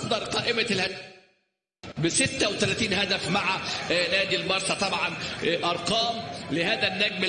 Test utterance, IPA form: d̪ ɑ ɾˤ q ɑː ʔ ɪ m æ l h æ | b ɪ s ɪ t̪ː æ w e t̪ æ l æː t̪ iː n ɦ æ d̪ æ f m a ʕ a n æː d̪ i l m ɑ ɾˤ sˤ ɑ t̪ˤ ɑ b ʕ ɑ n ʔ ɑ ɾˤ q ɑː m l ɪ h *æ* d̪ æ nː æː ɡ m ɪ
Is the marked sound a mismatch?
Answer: yes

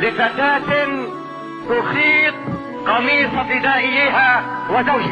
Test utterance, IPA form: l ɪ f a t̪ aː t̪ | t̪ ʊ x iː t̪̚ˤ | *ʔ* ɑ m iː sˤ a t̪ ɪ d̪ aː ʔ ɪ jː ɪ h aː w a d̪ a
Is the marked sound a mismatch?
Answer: yes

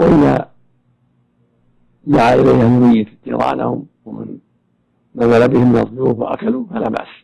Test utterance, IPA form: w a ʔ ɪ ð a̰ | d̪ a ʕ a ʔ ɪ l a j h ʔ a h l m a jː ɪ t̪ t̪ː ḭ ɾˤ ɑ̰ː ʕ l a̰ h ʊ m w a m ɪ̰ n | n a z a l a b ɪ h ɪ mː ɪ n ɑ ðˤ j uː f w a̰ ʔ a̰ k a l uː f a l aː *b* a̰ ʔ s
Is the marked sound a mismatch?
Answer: no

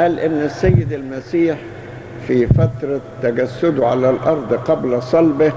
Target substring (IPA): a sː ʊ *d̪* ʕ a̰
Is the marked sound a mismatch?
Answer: no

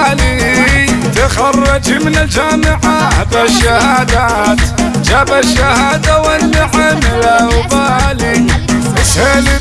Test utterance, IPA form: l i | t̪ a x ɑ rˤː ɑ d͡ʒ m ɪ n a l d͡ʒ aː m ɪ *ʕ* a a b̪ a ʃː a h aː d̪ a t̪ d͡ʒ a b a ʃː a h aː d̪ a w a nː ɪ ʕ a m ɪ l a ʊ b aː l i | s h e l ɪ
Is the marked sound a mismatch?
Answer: no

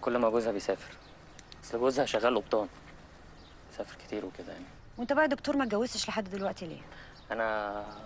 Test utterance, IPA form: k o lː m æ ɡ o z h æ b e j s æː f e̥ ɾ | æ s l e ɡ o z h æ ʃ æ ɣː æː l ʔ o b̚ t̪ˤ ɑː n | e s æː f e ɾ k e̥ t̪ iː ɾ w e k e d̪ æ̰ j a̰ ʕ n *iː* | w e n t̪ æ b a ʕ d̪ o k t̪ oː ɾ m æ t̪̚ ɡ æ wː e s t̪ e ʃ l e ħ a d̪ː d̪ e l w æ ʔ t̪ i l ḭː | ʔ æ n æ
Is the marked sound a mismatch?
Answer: yes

